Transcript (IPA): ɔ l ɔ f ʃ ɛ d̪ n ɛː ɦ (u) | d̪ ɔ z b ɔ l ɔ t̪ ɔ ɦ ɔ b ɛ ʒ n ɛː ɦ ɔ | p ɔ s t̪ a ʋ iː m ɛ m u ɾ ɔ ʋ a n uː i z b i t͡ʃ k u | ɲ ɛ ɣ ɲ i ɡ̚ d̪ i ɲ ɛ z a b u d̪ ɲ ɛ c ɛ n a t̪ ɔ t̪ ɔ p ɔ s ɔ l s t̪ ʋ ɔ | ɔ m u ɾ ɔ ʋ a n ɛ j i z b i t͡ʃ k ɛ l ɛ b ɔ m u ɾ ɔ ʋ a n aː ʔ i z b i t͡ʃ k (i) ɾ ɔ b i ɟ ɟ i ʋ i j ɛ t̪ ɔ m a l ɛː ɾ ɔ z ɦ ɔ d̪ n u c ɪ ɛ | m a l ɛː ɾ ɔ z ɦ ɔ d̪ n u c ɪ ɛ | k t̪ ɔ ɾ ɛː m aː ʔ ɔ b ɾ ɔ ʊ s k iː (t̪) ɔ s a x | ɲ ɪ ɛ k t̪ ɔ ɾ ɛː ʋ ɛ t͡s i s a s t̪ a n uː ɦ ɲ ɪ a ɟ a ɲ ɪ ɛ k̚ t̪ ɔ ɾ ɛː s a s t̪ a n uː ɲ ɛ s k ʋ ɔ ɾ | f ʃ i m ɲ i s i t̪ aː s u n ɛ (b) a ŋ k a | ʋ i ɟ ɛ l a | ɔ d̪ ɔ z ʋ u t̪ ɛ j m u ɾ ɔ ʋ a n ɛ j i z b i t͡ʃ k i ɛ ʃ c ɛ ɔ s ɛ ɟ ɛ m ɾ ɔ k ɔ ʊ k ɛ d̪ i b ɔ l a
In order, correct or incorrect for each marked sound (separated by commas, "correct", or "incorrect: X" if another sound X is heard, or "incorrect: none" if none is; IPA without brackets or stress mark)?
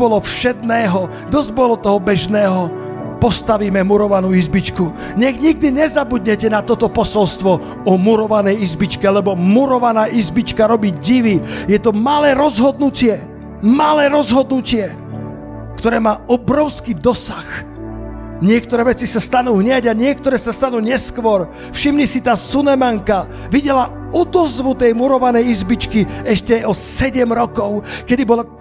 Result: incorrect: ɔ, incorrect: a, incorrect: d̪, incorrect: m